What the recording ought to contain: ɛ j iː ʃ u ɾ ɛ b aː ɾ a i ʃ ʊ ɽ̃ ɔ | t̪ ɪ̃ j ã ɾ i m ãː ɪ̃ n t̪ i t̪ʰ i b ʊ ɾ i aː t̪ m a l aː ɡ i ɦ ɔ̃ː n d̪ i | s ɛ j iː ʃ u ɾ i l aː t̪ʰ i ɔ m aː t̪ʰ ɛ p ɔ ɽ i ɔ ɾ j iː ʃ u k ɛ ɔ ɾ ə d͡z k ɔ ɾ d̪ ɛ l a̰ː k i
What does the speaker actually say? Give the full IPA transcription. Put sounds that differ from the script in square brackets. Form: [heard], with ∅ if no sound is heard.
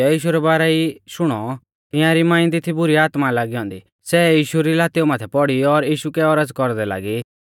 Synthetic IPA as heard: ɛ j iː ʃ u ɾ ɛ b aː ɾ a i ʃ ʊ ɽ̃ ɔ | t̪ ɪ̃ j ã ɾ i m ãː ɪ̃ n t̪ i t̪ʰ i b ʊ ɾ i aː t̪ m a l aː ɡ i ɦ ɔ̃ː n d̪ i | s ɛ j iː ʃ u ɾ i l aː [t̪] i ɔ m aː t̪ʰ ɛ p ɔ ɽ i ɔ ɾ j iː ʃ u k ɛ ɔ ɾ ə d͡z k ɔ ɾ d̪ ɛ l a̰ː [ɡ] i

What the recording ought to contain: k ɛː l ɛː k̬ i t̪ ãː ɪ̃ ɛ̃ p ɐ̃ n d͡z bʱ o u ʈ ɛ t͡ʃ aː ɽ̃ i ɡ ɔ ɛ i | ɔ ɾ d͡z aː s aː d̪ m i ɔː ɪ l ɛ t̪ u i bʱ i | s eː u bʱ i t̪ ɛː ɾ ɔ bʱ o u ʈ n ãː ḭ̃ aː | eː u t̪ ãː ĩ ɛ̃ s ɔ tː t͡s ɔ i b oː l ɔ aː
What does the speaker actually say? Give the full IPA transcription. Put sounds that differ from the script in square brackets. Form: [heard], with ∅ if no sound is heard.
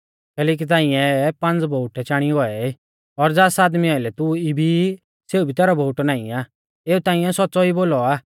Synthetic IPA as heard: k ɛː l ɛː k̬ i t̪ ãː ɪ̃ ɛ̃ p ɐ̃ n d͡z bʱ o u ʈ ɛ t͡ʃ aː ɽ̃ i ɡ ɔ ɛ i | ɔ ɾ d͡z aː s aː d̪ m i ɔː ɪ l ɛ t̪ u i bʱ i | s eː u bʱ i t̪ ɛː ɾ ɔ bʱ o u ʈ n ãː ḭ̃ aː | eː u t̪ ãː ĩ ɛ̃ s ɔ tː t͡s ɔ i b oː l ɔ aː

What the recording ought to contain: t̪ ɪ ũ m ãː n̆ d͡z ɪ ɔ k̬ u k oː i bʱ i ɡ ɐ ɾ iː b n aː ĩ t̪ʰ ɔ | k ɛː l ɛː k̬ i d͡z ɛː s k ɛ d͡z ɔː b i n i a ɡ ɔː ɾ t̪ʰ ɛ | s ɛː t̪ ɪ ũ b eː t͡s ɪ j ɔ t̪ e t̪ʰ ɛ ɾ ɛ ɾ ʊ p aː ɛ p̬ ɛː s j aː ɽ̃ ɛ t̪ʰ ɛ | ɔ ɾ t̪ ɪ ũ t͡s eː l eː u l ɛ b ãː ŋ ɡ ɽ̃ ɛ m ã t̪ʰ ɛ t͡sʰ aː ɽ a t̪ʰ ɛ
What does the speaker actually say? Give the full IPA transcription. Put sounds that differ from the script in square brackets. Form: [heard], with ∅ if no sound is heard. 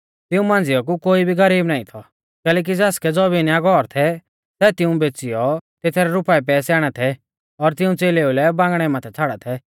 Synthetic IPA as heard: t̪ ɪ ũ m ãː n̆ d͡z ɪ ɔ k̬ u k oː i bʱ i ɡ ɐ ɾ iː b n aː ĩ t̪ʰ ɔ | k ɛː l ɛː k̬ i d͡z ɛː s k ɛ d͡z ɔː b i n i a ɡ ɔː ɾ t̪ʰ ɛ | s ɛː t̪ ɪ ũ b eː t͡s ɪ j ɔ t̪ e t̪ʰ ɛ ɾ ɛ ɾ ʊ p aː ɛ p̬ ɛː s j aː ɽ̃ ɛ t̪ʰ ɛ | ɔ ɾ t̪ ɪ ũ t͡s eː l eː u l ɛ b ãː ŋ ɡ ɽ̃ ɛ m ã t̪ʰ ɛ t͡sʰ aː ɽ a t̪ʰ ɛ

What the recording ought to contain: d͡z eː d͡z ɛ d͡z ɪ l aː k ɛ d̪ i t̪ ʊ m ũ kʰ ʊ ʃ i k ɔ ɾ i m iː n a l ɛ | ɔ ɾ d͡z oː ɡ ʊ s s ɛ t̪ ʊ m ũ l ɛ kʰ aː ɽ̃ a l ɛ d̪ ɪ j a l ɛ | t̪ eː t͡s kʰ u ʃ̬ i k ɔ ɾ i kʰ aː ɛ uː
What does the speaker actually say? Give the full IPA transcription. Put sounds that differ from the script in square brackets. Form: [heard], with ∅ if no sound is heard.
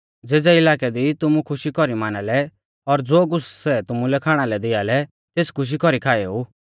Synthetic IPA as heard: d͡z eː d͡z ɛ [∅] ɪ l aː k ɛ d̪ i t̪ ʊ m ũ kʰ ʊ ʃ i k ɔ ɾ i m [aː] n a l ɛ | ɔ ɾ d͡z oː ɡ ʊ s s ɛ t̪ ʊ m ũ l ɛ kʰ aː ɽ̃ a l ɛ d̪ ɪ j a l ɛ | t̪ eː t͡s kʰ [ʊ] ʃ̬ i k ɔ ɾ i kʰ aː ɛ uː

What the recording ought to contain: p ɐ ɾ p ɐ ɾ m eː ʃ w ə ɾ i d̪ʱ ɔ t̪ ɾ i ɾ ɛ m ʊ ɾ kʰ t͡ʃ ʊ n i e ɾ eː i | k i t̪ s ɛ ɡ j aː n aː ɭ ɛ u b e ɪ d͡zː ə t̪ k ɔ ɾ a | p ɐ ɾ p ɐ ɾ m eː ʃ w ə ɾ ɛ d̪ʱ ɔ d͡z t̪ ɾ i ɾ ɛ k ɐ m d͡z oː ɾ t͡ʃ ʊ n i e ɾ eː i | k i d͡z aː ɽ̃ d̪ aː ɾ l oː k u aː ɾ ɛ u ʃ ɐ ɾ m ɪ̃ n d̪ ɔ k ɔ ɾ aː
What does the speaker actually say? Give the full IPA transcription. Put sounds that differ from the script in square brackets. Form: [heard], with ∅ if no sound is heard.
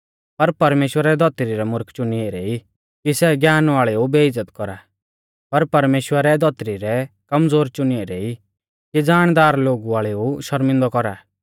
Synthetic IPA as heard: p ɐ ɾ p ɐ ɾ m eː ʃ w ə ɾ [ɛ] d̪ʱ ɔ t̪ ɾ i ɾ ɛ m ʊ ɾ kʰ t͡ʃ ʊ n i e ɾ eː i | k i [∅] s ɛ ɡ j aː n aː ɭ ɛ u b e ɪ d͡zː ə t̪ k ɔ ɾ a | p ɐ ɾ p ɐ ɾ m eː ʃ w ə ɾ ɛ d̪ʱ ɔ [∅] t̪ ɾ i ɾ ɛ k ɐ m d͡z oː ɾ t͡ʃ ʊ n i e ɾ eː i | k i d͡z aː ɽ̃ d̪ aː ɾ l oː [ɡ] u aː [ɭ] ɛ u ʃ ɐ ɾ m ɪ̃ n d̪ ɔ k ɔ ɾ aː

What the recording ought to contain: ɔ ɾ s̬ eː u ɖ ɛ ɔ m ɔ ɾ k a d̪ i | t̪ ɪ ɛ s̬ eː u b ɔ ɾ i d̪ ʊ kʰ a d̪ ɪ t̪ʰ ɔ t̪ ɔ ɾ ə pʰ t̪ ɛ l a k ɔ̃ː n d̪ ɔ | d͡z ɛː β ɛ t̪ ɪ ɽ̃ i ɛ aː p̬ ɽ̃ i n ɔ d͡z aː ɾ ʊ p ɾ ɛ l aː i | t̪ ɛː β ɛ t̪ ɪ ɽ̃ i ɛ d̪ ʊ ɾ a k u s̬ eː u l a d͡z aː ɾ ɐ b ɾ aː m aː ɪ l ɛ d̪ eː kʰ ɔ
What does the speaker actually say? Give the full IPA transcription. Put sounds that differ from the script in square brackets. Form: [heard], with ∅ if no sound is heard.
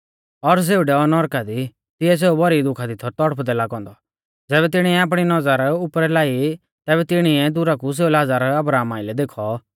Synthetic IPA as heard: ɔ ɾ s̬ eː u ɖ ɛ ɔ [n] ɔ ɾ k a d̪ i | t̪ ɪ ɛ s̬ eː u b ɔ ɾ i d̪ ʊ kʰ a d̪ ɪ t̪ʰ ɔ t̪ ɔ [ɽ] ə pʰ [d̪] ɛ l a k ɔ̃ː n d̪ ɔ | d͡z ɛː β ɛ t̪ ɪ ɽ̃ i ɛ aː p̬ ɽ̃ i n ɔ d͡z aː ɾ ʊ p ɾ ɛ l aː i | t̪ ɛː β ɛ t̪ ɪ ɽ̃ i ɛ d̪ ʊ ɾ a k u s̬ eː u l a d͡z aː ɾ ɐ b ɾ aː m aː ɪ l ɛ d̪ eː kʰ ɔ

